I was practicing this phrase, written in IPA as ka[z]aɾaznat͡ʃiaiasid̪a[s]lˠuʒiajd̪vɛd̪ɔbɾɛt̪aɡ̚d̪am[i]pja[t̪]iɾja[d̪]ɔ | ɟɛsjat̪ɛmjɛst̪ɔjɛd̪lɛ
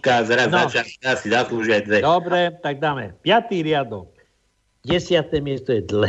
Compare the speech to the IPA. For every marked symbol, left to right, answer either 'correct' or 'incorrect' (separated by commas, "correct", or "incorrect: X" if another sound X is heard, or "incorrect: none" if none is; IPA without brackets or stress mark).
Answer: correct, correct, incorrect: ɛ, correct, correct